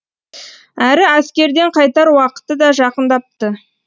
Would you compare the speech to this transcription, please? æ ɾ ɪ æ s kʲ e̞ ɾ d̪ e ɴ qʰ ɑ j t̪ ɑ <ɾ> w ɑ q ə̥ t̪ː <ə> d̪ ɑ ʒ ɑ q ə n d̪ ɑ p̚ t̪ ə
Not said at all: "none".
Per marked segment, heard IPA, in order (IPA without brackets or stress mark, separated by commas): ɾ, ə